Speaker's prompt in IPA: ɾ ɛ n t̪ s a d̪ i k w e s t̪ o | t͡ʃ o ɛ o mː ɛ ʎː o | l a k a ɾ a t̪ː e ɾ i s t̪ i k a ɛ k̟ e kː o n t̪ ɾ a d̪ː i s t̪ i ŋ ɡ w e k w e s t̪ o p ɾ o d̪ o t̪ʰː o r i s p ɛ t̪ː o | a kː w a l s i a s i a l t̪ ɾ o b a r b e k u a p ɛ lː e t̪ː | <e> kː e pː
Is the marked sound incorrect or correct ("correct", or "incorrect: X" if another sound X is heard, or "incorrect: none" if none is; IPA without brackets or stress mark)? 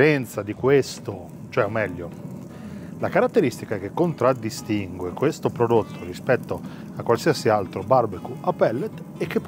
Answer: correct